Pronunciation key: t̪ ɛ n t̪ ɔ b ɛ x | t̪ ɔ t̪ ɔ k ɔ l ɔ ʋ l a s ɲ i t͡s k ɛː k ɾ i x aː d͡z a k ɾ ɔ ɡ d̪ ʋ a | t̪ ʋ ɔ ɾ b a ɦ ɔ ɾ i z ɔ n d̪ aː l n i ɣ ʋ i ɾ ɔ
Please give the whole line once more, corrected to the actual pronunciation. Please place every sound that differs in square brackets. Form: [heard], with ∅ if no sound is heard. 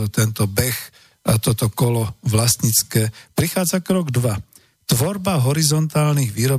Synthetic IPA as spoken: t̪ ɛ n t̪ ɔ b ɛ x | t̪ ɔ t̪ ɔ k ɔ l ɔ ʋ l a s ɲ i t͡s k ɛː [p] ɾ i x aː d͡z a k ɾ ɔ ɡ d̪ ʋ a | t̪ ʋ ɔ ɾ b a ɦ ɔ ɾ i z ɔ n [t̪] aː l n i ɣ ʋ [iː] ɾ ɔ